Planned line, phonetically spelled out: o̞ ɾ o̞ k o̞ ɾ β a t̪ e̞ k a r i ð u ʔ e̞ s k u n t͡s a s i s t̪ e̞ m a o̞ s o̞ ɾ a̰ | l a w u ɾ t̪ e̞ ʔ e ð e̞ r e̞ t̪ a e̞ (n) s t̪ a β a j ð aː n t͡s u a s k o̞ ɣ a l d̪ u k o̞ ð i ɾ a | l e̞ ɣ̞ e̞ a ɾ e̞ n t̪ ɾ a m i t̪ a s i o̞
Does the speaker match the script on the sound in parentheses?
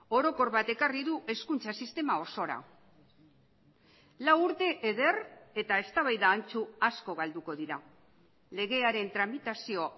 no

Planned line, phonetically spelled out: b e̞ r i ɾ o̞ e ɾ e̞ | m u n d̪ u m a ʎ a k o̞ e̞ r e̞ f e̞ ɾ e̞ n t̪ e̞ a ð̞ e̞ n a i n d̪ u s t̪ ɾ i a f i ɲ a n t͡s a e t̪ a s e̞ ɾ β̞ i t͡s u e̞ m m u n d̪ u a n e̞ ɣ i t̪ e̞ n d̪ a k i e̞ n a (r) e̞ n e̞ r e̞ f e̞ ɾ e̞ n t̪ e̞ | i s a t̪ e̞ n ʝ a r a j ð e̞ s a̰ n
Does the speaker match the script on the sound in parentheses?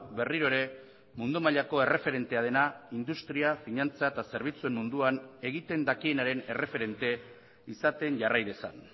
no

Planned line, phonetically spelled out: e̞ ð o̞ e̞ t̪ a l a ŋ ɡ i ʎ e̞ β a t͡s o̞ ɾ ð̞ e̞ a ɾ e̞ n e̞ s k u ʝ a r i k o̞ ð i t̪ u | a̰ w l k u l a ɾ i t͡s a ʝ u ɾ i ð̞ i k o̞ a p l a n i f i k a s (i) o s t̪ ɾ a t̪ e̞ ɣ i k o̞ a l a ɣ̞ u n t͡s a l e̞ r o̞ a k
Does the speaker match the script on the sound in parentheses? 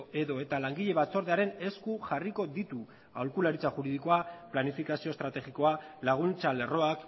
yes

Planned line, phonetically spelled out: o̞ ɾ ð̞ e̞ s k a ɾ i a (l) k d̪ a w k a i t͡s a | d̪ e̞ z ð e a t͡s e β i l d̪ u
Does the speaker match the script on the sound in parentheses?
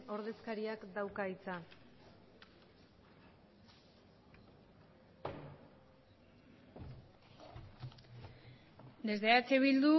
no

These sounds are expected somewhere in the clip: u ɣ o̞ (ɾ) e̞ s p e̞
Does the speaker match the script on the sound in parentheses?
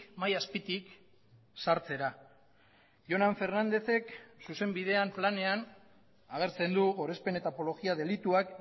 yes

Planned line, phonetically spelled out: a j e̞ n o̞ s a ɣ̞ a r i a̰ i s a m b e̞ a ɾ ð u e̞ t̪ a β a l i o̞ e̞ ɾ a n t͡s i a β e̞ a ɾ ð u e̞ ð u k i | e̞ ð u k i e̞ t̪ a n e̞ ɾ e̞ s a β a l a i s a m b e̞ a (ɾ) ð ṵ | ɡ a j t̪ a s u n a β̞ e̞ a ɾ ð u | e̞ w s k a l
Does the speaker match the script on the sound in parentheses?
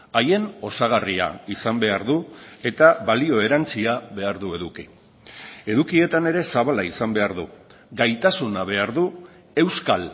yes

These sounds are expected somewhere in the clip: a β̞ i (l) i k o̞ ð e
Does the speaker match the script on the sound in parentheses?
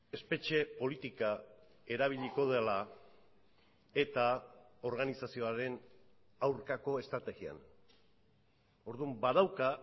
no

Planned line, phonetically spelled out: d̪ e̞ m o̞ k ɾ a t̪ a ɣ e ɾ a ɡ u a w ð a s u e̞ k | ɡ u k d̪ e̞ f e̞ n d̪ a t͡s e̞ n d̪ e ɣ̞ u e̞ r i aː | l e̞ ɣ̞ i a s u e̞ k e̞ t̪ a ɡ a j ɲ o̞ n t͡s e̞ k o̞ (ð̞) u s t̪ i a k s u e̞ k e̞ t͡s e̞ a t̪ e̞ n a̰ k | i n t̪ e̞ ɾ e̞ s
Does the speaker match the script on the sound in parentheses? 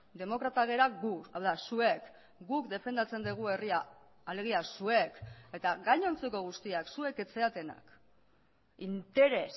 no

